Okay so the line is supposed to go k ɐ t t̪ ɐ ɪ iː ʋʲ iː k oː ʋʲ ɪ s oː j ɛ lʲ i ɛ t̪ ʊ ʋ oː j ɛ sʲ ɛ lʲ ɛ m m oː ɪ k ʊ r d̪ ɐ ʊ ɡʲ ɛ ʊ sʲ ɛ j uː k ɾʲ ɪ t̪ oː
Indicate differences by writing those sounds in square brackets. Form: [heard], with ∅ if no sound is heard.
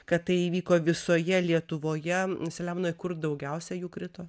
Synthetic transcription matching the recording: k ɐ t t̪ ɐ ɪ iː ʋʲ iː k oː ʋʲ ɪ s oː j ɛ lʲ i ɛ t̪ ʊ ʋ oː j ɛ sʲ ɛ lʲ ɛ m [n] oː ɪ k ʊ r d̪ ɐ ʊ ɡʲ ɛ ʊ sʲ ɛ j uː k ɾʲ ɪ t̪ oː